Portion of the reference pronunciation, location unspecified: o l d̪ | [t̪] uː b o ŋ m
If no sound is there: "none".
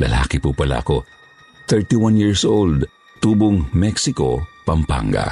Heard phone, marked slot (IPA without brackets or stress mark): t̪